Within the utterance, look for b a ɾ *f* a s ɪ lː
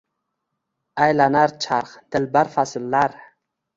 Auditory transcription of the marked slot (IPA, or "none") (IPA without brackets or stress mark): f